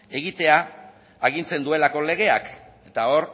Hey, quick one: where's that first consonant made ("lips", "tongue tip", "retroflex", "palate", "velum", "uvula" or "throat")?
velum